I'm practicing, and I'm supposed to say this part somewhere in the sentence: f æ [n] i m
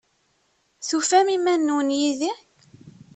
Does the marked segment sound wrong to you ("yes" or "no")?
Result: yes